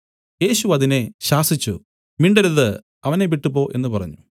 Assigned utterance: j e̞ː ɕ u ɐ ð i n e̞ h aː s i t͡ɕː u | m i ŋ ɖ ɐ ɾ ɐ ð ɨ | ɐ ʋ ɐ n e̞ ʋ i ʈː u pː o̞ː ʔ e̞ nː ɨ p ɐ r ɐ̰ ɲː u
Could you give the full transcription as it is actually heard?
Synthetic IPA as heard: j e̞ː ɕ u ɐ ð i n e̞ ɕ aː s i t͡ɕː u | m i ɳ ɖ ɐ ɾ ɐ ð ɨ | ɐ ʋ ɐ n e̞ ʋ i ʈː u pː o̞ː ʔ e̞ nː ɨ p ɐ r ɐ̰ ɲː u